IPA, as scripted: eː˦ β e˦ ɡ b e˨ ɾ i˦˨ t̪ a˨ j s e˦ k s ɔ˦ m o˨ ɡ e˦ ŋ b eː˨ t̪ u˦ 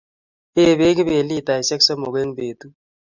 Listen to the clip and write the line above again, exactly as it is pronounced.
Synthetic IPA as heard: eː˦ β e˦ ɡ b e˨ l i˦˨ t̪ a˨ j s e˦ k s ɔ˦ m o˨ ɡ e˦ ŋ b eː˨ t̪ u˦